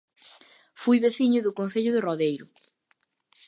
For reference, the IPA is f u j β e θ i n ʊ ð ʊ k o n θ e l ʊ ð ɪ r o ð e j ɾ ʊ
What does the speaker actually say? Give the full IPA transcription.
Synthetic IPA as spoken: f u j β e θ i ɲ ʊ ð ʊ k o n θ e ʎ ʊ ð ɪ r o ð e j ɾ ʊ